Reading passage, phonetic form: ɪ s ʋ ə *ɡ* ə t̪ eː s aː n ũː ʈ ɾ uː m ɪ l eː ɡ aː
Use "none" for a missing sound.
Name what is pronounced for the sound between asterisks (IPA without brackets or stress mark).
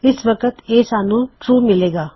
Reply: k